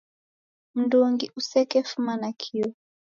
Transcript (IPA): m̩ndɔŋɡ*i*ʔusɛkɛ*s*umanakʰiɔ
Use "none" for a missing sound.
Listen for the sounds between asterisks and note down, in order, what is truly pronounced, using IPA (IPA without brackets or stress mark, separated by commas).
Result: i, f